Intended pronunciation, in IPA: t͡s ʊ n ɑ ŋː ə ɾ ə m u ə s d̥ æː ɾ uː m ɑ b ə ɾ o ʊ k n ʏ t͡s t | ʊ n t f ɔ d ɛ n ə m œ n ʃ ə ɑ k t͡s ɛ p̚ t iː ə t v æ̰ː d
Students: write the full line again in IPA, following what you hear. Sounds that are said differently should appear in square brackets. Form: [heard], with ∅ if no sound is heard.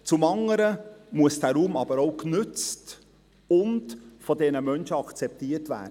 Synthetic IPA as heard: t͡s ʊ [m] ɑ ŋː ə ɾ ə m u ə s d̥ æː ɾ uː m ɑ b ə ɾ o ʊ k n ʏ t͡s t | ʊ n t f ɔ d ɛ n ə m œ n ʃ ə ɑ k t͡s ɛ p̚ t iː ə t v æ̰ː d